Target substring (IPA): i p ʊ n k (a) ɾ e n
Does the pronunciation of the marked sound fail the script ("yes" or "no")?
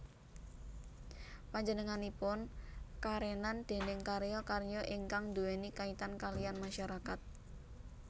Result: no